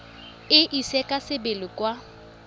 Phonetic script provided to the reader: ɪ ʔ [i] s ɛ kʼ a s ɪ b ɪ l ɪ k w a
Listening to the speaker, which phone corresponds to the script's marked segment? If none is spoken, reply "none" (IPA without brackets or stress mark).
i